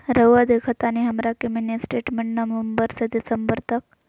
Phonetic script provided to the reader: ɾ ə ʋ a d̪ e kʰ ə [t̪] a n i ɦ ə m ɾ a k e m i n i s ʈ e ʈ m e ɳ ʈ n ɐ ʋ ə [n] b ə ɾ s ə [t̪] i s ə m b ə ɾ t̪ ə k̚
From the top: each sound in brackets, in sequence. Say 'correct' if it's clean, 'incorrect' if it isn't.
correct, incorrect, incorrect

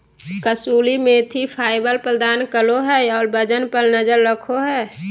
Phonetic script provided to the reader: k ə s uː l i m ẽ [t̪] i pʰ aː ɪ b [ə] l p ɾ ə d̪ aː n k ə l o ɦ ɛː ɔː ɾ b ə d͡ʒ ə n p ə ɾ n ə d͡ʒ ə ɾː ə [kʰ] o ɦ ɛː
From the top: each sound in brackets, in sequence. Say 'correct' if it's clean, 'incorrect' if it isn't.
incorrect, correct, correct

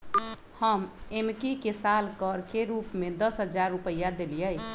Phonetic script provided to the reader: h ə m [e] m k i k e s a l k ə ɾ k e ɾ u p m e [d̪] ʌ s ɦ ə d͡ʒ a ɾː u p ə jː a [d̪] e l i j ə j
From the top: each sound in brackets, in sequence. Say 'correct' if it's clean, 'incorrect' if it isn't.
correct, correct, correct

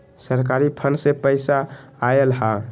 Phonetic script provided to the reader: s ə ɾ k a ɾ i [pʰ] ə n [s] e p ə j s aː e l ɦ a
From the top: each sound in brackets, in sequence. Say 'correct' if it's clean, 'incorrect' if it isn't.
correct, correct

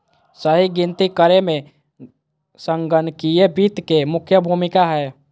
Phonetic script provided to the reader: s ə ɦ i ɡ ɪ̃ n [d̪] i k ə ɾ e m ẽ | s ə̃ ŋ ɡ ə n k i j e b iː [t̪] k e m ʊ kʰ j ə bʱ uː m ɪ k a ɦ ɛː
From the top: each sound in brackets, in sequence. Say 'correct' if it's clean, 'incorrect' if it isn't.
incorrect, correct

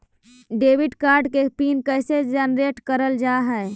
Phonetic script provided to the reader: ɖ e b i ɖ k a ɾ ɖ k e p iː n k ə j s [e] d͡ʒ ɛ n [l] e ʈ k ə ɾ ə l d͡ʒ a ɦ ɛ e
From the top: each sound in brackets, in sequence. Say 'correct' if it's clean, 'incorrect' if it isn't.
correct, incorrect

